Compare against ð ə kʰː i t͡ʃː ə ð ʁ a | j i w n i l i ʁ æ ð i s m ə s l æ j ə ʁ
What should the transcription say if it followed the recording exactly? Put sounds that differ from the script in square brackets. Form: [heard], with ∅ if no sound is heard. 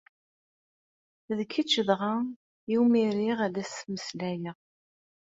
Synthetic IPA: ð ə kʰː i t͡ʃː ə ð ʁ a | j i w [m] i [ɾ] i ʁ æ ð [æ] s m ə s l æ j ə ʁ